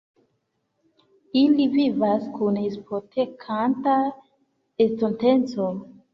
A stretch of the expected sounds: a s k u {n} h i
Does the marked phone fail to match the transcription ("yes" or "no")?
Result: no